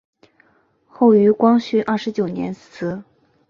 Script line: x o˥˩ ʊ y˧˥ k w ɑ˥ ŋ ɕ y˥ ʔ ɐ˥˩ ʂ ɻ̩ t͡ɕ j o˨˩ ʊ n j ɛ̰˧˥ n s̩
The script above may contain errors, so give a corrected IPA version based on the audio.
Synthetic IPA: x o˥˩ ʊ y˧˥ k w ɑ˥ ŋ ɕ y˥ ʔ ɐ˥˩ ʂ ɻ̩ t͡ɕ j o˨˩ ʊ n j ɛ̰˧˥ n s̩